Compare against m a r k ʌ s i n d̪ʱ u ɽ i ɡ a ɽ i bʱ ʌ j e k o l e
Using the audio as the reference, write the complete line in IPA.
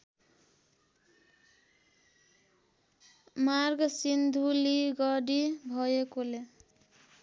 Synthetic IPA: m a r ɡ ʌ s i n d̪ʱ u l i ɡ ʌ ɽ i bʱ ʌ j e k o l e